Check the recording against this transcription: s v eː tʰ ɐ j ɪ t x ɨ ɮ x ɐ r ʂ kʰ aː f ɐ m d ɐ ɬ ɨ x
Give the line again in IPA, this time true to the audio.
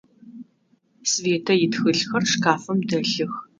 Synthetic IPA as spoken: s v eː tʰ ɐ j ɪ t x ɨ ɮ x ɐ r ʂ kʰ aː f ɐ m d ɐ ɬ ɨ x